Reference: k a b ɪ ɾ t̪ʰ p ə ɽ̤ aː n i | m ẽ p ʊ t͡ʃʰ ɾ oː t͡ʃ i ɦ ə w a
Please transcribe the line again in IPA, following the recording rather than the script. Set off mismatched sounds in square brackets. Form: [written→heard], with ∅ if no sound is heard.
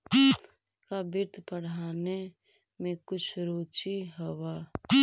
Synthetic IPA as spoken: k a b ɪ ɾ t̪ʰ p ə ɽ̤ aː n [i→e] | m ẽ [p→k] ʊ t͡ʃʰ ɾ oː t͡ʃ i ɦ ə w a